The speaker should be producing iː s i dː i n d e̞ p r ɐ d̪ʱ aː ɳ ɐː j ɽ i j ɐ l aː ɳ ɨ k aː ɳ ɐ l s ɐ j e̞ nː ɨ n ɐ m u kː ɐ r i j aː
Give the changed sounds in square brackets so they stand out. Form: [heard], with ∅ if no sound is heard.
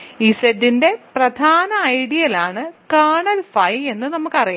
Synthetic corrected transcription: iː s [e] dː i n d e̞ p r ɐ d̪ʱ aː [n] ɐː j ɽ i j ɐ l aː ɳ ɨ k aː ɳ ɐ l [f] ɐ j e̞ nː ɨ n ɐ m u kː ɐ r i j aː